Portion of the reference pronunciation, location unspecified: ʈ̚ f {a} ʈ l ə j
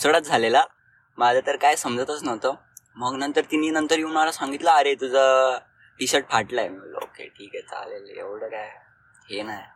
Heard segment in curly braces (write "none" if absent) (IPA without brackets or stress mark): a